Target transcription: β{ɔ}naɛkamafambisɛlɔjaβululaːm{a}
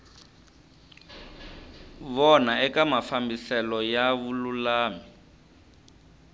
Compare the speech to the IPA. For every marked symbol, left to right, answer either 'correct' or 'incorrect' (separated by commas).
correct, incorrect